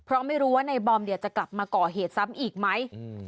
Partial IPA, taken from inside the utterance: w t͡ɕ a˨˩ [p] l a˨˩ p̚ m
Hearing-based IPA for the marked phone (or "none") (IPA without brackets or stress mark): k